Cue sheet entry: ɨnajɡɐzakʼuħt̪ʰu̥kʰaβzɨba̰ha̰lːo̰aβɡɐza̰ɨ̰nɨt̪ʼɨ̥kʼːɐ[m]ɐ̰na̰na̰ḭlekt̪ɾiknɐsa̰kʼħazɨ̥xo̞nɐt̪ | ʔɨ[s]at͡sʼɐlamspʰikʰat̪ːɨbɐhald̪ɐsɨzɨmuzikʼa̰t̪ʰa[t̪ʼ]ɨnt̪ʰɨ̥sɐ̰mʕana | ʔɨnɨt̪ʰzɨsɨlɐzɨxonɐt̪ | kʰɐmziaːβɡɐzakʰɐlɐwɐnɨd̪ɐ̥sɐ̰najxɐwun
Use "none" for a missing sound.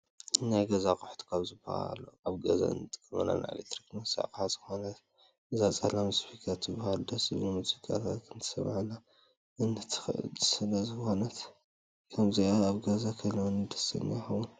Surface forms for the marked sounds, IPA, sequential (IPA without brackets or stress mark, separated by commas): m, z, t̪